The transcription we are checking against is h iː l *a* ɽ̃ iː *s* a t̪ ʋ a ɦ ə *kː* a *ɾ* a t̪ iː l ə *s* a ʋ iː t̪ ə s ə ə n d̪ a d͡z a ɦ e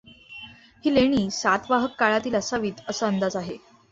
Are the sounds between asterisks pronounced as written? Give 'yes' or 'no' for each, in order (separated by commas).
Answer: no, yes, yes, no, yes